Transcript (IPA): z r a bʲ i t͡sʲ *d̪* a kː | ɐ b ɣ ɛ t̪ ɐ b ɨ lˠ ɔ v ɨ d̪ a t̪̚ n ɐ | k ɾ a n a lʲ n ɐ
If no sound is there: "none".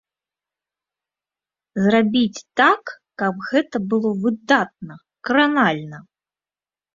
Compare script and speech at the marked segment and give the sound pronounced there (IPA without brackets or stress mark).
t̪